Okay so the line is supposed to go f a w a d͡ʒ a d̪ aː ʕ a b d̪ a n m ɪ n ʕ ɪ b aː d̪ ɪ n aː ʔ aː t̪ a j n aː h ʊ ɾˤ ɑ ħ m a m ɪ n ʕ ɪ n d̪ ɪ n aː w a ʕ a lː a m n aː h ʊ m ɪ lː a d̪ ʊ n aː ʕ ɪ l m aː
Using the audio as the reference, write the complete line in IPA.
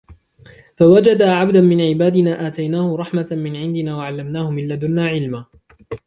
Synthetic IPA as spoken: f a w a d͡ʒ a d̪ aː ʕ a b d̪ a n m ɪ n ʕ ɪ b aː d̪ ɪ n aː ʔ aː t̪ a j n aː h ʊ ɾˤ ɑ ħ m a m ɪ n ʕ ɪ n d̪ ɪ n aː w a ʕ a lː a m n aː h ʊ m ɪ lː a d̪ ʊ n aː ʕ ɪ l m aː

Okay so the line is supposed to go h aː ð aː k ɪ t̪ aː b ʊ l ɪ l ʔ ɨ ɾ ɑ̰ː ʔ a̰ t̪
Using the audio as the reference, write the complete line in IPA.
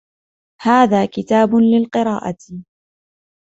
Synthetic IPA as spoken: h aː ð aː k ɪ t̪ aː b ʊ l ɪ l q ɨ ɾ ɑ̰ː ʔ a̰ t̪

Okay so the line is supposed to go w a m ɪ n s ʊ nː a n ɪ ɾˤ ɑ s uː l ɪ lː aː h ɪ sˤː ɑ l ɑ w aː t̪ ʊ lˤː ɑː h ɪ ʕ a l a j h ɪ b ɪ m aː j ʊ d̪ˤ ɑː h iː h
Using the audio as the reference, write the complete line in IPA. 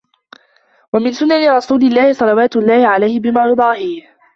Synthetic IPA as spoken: w a m ɪ n s ʊ nː a n ɪ ɾˤ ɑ s uː l ɪ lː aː h ɪ sˤ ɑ l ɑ w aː t̪ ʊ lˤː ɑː h ɪ ʕ a l a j h ɪ b ɪ m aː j ʊ d̪ˤ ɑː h iː h

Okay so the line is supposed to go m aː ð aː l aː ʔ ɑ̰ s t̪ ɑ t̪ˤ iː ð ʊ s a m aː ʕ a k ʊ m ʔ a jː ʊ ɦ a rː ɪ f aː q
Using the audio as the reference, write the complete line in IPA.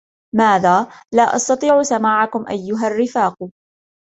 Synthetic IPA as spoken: m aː ð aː l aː ʔ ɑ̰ s t̪ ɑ t̪ˤ iː ʕ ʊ s a m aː ʕ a k ʊ m ʔ a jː ʊ ɦ a rː ɪ f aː q

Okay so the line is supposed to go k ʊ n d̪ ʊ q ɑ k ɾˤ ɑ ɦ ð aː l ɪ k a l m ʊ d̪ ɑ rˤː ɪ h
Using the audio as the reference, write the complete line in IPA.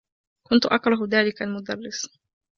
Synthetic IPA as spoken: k ʊ n t̪ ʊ ʔ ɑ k ɾˤ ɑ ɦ ð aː l ɪ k a l m ʊ d̪ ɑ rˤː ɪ s

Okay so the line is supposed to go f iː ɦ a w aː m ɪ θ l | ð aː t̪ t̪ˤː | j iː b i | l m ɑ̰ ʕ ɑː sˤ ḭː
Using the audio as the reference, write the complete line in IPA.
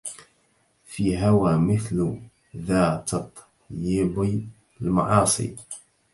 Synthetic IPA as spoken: f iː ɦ a w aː m ɪ θ l | ð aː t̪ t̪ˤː | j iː b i | l m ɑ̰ ʕ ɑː sˤ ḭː

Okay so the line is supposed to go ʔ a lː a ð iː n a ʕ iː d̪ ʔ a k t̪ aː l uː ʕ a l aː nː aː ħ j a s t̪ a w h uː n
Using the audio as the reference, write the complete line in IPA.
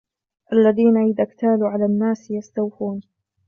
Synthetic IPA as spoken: ʔ a lː a ð iː n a ʕ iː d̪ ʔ a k t̪ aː l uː ʕ a l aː nː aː s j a s t̪ a w f uː n

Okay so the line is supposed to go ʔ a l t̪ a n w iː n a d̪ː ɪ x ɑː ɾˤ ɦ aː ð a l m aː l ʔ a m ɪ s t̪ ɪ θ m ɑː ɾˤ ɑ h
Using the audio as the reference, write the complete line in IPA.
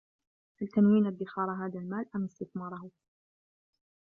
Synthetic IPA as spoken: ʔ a l t̪ a n w iː n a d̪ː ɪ x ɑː ɾˤ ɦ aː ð a l m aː l ʔ a m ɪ s t̪ ɪ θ m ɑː ɾˤ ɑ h

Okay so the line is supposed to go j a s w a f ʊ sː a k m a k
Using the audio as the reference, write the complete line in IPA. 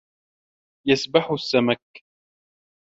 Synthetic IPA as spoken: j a s b a ħ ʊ sː a m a k

